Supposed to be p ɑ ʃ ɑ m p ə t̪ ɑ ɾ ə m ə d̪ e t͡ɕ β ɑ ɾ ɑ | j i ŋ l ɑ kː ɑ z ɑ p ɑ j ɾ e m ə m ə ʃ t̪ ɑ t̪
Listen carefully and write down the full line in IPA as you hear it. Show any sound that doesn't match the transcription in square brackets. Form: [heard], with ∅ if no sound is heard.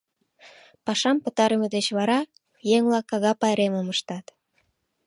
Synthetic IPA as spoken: p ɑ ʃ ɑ m p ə t̪ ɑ ɾ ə m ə d̪ e t͡ɕ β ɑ ɾ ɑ | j [e] ŋ l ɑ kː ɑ [ɣ] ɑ p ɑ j ɾ e m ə m ə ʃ t̪ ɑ t̪